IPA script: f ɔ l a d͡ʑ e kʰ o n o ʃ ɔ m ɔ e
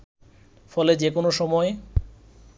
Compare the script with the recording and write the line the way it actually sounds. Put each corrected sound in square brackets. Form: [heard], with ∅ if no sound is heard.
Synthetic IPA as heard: f ɔ l [e] d͡ʑ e [k] o n o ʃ ɔ m ɔ e

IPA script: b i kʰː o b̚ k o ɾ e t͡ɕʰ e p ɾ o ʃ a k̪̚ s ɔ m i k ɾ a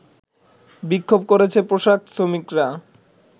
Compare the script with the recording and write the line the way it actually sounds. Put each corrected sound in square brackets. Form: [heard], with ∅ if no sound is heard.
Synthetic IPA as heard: b i kʰː o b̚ k o ɾ e t͡ɕʰ e p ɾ o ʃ a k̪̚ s [o] m i k ɾ a

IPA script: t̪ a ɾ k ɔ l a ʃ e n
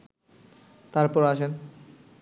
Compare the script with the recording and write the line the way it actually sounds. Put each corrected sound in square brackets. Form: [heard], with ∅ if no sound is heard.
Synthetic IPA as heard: t̪ a ɾ [p] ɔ [ɾ] a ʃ e n

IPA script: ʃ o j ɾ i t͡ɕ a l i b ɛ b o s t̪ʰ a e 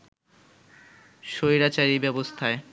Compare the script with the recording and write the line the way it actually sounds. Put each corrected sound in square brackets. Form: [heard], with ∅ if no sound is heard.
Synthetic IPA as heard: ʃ o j ɾ [a] t͡ɕ a [ɾ] i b ɛ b o s t̪ʰ a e

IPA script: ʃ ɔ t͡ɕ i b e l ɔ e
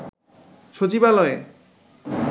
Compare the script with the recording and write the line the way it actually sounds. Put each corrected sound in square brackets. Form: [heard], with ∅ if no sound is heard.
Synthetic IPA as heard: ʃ [o] t͡ɕ i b [a] l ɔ e

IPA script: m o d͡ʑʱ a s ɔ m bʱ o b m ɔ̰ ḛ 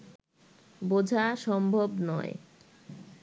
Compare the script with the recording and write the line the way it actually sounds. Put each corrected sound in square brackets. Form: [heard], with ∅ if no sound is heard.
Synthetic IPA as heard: [b] o d͡ʑʱ a [ʃ] ɔ m bʱ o b [n] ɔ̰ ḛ

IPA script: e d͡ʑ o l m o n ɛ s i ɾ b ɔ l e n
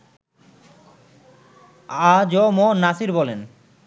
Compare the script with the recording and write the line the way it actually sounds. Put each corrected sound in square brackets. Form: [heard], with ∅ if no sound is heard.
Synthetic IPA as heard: [a] d͡ʑ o [∅] m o n [a] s i ɾ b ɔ l e n

